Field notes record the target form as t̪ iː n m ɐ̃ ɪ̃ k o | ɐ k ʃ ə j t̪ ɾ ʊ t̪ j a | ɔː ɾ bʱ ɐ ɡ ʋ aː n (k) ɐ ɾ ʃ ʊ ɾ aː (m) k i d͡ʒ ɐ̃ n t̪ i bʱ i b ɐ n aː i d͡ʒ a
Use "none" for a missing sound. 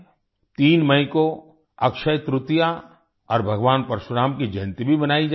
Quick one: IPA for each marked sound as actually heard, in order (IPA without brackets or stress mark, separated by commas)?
p, m